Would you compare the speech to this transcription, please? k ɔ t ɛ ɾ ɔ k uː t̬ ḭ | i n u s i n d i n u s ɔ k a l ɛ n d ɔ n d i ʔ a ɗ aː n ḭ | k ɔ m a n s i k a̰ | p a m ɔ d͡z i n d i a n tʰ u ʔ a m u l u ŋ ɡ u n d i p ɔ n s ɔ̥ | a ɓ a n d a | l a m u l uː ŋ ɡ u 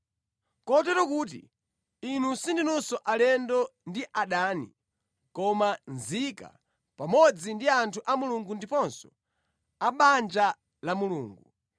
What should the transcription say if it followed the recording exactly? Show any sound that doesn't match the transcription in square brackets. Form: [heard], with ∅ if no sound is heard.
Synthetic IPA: k ɔ t ɛ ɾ ɔ k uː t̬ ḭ | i n u s i n d i n u s ɔ [ʔ] a l ɛ n d ɔ n d i ʔ a ɗ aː n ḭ | k ɔ m a n [z] i k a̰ | p a m ɔ d͡z i n d i a n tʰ u ʔ a m u l u ŋ ɡ u n d i p ɔ n s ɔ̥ | a ɓ a n [d͡ʒ] a | l a m u l uː ŋ ɡ u